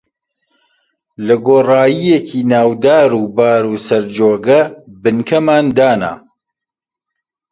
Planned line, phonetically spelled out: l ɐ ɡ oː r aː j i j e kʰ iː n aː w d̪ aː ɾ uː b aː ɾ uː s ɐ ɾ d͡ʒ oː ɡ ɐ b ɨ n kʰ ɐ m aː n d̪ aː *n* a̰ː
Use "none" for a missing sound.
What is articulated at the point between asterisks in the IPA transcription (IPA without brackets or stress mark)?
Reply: n